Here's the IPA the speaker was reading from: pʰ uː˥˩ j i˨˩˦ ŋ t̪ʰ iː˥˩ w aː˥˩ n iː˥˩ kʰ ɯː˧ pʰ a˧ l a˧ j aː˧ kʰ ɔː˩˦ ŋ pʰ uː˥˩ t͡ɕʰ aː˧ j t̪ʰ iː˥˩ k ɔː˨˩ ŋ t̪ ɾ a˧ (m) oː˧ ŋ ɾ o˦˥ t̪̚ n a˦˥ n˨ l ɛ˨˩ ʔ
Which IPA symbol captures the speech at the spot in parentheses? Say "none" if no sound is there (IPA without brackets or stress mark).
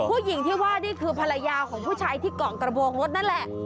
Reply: b